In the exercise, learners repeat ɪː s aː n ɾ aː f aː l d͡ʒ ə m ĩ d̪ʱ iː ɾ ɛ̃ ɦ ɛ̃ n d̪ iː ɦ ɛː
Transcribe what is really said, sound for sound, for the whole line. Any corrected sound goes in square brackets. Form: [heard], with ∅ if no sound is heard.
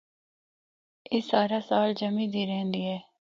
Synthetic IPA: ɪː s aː [∅] ɾ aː [s] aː l d͡ʒ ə m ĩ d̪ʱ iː ɾ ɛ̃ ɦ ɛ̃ n d̪ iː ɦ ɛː